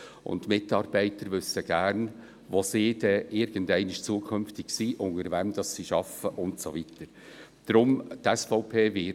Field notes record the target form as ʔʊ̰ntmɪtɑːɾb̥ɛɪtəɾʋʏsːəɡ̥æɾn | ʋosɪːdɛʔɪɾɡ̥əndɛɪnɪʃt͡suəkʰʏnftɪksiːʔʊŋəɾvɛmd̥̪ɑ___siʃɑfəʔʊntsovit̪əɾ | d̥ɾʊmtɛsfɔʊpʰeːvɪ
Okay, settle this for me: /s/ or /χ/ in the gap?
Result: s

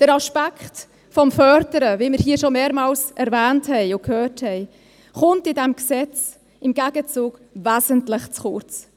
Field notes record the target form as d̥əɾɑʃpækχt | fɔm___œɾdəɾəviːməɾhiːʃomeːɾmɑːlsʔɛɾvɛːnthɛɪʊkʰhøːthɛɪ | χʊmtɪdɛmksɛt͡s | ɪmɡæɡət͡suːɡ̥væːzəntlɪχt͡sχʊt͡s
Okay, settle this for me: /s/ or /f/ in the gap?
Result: f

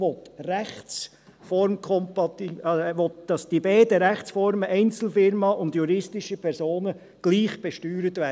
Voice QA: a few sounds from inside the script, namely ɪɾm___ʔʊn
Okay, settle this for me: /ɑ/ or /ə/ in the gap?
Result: ɑ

